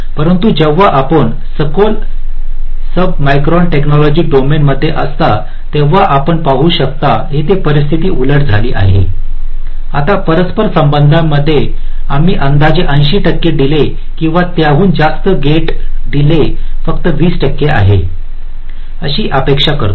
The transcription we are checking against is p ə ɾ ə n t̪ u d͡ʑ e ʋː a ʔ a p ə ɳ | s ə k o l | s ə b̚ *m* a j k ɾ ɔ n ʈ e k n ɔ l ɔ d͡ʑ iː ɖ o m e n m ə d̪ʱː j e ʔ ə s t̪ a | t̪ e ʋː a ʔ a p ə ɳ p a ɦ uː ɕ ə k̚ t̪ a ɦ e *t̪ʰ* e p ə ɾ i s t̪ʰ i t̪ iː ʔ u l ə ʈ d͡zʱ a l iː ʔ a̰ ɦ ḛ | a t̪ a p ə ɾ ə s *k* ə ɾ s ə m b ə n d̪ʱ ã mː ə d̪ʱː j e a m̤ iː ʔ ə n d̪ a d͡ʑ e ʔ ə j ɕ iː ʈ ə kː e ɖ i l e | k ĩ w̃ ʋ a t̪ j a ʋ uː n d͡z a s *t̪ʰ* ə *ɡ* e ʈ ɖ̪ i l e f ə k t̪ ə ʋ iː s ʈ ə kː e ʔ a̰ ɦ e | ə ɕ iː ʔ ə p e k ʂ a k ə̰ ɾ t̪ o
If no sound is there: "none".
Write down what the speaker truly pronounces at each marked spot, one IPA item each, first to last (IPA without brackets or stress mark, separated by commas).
m, t̪, p, t̪, ɡ